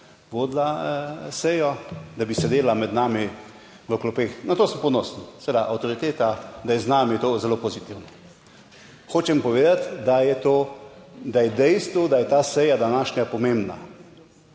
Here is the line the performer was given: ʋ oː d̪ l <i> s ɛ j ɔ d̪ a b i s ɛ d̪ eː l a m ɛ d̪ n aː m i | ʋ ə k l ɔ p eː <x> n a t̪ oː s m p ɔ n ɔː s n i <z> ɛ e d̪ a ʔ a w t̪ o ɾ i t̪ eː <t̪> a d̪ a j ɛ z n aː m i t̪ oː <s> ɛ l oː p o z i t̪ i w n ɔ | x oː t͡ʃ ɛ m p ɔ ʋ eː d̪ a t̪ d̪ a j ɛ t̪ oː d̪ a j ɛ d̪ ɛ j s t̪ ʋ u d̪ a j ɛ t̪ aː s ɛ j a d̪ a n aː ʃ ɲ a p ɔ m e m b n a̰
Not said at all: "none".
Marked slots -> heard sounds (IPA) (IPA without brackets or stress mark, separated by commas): a, x, s, t̪, z